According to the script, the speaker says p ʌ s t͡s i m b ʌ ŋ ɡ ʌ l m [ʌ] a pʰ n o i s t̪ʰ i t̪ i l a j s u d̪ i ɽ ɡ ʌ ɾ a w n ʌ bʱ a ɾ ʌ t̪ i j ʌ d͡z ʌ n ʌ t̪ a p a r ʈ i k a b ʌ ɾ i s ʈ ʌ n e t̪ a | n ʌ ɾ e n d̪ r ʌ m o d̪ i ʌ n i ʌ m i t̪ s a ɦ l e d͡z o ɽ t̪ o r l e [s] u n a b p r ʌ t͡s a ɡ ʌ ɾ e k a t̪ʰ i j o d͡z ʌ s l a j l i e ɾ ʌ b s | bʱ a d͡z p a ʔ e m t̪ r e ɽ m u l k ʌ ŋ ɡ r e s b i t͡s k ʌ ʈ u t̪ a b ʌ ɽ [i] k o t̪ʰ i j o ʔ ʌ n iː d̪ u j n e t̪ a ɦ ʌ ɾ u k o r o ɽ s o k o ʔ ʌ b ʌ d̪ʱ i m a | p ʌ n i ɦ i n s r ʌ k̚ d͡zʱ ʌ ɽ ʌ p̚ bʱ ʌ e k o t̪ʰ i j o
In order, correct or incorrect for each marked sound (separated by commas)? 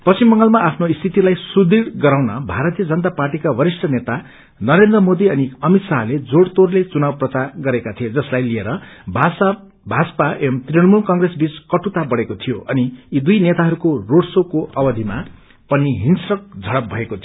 incorrect, incorrect, incorrect